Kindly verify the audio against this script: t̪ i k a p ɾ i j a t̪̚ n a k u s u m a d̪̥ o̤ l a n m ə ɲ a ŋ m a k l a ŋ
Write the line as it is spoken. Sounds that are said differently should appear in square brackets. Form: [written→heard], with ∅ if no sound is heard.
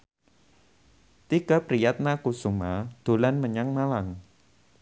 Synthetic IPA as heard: t̪ i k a p ɾ i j a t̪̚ n a k u s u m a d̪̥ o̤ l a n m ə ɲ a ŋ m a [k→∅] l a ŋ